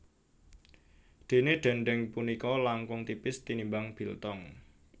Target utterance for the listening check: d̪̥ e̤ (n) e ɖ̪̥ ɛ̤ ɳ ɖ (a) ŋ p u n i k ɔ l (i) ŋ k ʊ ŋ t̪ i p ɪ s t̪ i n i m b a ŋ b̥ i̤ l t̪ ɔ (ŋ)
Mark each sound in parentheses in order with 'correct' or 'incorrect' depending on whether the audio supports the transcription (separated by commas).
correct, incorrect, incorrect, correct